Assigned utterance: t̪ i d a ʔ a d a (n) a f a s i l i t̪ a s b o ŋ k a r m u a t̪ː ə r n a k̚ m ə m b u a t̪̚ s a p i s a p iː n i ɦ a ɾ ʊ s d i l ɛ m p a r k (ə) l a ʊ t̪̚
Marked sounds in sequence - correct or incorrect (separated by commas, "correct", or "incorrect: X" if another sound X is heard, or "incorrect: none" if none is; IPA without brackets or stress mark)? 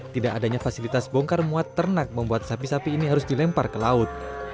incorrect: ɲ, correct